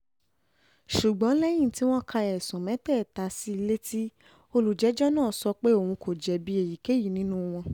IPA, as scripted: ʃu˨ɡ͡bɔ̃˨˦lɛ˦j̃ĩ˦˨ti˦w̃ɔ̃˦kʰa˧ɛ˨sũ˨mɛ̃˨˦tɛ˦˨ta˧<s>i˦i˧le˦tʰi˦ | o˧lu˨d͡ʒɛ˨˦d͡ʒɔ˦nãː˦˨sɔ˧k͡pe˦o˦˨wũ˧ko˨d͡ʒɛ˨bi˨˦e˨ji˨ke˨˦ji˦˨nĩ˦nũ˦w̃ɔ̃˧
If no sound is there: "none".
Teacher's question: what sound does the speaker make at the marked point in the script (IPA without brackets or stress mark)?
s